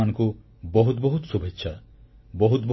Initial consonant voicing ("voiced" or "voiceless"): voiced